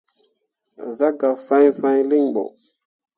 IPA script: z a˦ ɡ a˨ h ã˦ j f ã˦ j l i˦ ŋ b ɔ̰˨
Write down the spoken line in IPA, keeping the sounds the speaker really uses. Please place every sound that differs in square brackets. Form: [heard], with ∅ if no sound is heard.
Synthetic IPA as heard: z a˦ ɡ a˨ [f] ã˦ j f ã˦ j l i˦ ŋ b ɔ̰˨